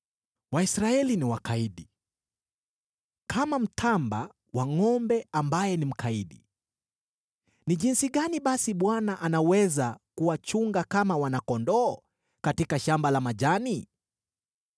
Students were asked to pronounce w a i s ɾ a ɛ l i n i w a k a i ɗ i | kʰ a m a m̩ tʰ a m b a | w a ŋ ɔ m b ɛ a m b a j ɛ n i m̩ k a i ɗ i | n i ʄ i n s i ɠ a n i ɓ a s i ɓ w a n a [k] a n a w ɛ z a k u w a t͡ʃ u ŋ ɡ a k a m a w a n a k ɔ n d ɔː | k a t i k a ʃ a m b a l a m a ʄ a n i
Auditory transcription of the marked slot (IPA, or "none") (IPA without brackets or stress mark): ʔ